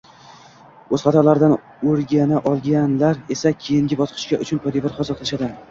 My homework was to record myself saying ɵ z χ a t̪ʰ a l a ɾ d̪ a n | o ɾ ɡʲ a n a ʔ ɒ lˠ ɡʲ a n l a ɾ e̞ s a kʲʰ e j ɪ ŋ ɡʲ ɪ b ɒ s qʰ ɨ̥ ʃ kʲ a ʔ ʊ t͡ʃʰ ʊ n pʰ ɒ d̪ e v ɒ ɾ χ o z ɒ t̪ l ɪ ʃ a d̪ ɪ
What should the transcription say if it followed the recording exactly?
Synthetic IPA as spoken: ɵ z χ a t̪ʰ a l a ɾ d̪ a n | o ɾ ɡʲ a n a ʔ ɒ lˠ ɡʲ a n l a ɾ e̞ s a kʲʰ e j ɪ ŋ ɡʲ ɪ b ɒ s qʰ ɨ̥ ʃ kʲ a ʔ ʊ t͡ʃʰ ʊ n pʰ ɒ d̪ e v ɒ ɾ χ ɒ z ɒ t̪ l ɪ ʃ a d̪ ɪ